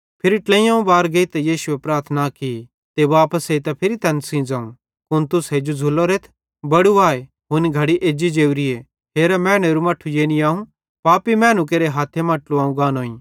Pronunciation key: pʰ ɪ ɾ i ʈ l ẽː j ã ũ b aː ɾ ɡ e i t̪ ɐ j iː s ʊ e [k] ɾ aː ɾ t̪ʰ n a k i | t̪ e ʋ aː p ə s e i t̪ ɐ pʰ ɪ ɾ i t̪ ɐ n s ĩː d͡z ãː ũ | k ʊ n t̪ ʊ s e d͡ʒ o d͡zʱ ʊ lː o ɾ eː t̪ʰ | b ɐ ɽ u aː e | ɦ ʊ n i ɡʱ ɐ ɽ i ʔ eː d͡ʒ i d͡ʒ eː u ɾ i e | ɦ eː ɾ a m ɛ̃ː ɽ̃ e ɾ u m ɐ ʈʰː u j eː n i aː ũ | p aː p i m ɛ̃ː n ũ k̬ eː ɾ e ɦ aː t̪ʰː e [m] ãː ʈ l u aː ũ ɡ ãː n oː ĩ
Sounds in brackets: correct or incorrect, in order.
incorrect: p, correct

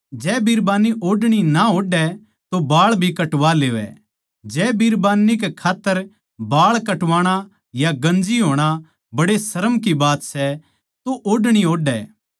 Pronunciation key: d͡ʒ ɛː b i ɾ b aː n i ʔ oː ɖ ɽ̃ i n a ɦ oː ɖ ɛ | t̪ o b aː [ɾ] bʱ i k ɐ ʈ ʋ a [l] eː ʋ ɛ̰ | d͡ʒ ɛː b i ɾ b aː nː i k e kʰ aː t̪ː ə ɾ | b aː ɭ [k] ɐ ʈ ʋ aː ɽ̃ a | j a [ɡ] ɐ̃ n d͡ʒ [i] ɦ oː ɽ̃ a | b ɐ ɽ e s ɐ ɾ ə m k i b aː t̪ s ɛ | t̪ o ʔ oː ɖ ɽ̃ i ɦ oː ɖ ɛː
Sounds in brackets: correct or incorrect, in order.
incorrect: ɭ, correct, correct, correct, correct

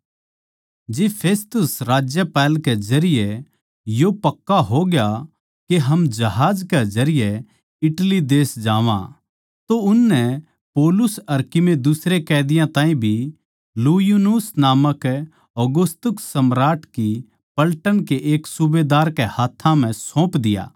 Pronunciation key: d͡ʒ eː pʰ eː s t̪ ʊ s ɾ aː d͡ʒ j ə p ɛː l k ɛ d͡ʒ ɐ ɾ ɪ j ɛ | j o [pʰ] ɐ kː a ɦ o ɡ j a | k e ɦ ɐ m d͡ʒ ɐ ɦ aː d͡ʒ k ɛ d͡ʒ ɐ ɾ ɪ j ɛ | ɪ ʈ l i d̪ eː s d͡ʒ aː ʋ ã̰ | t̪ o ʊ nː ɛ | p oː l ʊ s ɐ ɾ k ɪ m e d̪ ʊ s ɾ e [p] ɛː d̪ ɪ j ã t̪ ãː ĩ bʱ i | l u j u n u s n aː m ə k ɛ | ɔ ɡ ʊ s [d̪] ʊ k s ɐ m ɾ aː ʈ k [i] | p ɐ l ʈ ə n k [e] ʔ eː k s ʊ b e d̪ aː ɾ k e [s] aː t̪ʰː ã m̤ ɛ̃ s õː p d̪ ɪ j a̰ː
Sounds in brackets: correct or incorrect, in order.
incorrect: p, incorrect: k, incorrect: t̪, correct, correct, incorrect: h

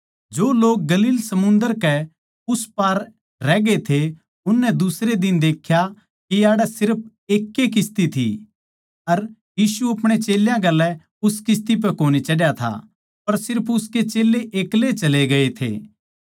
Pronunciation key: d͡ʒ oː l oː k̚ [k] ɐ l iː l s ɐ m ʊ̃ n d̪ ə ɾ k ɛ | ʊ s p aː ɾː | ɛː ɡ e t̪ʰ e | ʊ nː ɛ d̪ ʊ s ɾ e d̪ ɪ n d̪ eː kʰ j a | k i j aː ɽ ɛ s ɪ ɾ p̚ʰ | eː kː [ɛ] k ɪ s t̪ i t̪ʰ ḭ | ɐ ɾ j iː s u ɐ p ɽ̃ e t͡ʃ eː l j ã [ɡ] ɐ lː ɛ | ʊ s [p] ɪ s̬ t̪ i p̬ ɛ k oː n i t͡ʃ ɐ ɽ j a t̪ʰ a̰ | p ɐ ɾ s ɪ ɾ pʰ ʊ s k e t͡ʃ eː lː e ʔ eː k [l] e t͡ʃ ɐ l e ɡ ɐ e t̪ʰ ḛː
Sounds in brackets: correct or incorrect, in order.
incorrect: ɡ, incorrect: e, correct, incorrect: k, correct

